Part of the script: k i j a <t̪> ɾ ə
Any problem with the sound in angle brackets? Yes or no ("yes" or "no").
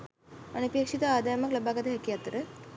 no